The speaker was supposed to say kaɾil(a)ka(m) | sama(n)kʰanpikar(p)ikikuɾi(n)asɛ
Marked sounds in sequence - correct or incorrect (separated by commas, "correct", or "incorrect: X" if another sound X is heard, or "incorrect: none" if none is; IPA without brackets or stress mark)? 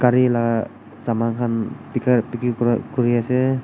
correct, incorrect: none, incorrect: ŋ, correct, incorrect: none